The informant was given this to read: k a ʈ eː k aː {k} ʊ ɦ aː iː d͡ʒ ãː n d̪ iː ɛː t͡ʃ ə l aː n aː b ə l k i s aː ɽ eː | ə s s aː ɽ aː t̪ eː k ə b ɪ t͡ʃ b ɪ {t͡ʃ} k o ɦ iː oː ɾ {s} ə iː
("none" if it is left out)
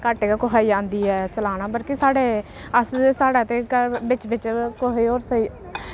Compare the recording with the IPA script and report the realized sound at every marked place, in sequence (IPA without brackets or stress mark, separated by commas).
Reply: k, t͡ʃ, s